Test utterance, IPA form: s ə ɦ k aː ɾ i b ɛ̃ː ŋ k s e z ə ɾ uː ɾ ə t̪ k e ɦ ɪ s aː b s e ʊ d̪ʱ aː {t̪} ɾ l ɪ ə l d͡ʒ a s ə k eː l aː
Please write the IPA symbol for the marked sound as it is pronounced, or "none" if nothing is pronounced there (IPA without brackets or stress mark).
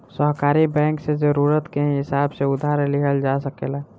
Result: none